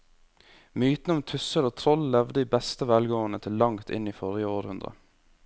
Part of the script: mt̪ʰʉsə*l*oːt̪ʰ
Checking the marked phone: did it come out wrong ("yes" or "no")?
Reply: no